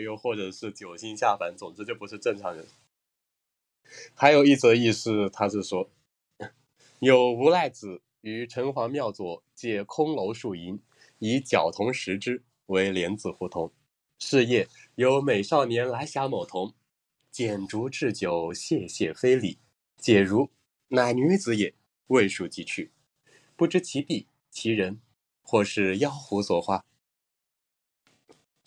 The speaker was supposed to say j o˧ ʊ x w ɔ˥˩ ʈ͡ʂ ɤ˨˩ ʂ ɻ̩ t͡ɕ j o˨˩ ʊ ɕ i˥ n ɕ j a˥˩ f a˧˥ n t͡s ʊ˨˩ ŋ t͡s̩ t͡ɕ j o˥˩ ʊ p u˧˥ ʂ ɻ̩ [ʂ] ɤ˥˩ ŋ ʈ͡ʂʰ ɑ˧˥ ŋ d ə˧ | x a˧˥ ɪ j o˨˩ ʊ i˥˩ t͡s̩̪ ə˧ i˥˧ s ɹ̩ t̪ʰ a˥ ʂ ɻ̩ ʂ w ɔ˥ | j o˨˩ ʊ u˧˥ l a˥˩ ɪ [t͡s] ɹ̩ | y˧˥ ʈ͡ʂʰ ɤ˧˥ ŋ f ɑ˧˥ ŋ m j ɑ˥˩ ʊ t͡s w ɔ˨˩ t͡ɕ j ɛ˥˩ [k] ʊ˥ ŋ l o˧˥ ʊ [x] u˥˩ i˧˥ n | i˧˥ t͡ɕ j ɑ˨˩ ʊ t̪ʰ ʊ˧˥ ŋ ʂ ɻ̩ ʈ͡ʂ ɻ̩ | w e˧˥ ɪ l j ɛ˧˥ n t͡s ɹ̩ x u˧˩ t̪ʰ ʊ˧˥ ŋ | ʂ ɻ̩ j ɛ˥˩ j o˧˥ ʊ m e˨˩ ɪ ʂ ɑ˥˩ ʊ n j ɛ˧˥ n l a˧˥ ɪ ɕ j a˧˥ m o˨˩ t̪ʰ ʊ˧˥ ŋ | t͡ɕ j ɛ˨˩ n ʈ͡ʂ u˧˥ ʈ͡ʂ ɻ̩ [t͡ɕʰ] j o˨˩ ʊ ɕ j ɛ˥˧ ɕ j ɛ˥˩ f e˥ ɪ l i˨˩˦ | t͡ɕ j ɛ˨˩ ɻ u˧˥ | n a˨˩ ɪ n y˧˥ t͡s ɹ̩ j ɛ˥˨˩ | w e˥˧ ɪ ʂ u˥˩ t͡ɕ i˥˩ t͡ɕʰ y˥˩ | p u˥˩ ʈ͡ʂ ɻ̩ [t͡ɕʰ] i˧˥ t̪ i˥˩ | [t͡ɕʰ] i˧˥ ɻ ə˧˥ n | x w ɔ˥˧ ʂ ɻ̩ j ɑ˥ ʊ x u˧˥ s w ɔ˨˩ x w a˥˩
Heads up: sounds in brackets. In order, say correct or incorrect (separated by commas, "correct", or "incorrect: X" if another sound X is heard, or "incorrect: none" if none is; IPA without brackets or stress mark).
incorrect: ʈ͡ʂ, correct, incorrect: kʰ, incorrect: ʂ, incorrect: t͡ɕ, correct, correct